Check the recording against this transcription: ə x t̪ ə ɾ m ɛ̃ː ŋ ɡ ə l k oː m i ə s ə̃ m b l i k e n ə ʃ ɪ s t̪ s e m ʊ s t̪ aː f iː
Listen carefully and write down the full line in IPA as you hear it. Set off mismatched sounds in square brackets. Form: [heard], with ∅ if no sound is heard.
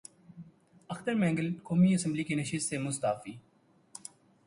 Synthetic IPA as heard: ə x t̪ ə ɾ m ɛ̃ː ŋ ɡ ə l k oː m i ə s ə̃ m b l i k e n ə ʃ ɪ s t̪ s e m ʊ s t̪ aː f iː